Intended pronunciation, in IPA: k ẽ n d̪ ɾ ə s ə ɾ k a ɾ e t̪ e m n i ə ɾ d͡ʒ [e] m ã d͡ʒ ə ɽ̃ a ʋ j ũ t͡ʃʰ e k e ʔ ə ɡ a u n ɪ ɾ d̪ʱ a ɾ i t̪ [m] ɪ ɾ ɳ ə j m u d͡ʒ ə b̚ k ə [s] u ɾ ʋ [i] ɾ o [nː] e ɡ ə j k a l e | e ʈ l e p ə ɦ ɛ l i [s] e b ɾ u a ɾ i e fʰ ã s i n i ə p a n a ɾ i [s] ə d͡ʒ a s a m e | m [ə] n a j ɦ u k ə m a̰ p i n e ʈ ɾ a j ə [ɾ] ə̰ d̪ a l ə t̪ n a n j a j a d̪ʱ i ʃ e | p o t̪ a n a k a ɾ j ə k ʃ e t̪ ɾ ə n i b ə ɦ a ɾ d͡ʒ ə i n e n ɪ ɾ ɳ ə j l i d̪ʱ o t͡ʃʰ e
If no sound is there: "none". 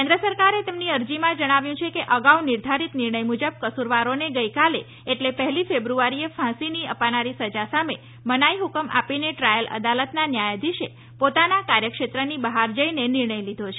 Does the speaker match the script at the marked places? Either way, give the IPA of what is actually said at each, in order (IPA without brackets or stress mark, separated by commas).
i, n, s, a, n, f, s, ə, l